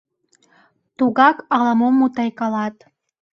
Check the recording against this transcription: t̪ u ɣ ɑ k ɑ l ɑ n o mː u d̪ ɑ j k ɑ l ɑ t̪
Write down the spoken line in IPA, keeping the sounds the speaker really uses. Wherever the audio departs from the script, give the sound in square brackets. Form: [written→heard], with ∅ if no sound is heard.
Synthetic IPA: t̪ u ɣ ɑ k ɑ l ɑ [n→m] o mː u [d̪→t̪] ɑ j k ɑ l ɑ t̪